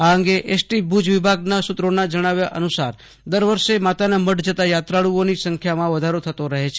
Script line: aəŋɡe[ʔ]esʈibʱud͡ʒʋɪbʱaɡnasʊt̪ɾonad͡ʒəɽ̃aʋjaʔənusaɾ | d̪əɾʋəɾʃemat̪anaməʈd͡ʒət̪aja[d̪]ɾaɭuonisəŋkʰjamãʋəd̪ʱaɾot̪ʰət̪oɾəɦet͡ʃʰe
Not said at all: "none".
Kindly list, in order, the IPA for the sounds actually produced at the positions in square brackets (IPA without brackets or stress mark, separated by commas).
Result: ʔ, t̪